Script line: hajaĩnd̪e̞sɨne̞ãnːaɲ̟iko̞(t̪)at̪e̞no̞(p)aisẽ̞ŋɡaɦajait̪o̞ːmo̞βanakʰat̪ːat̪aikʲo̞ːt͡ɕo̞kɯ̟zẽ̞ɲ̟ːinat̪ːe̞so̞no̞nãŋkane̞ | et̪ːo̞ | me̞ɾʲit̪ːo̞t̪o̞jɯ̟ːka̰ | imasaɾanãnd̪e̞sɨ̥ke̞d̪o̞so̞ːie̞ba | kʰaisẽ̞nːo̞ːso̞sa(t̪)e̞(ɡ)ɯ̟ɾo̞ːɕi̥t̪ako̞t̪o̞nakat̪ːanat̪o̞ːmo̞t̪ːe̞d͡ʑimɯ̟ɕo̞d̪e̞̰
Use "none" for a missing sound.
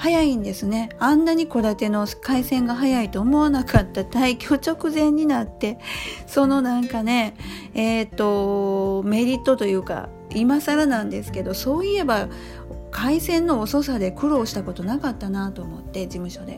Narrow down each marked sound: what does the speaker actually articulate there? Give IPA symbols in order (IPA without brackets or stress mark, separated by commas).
d̪, k, d̪, k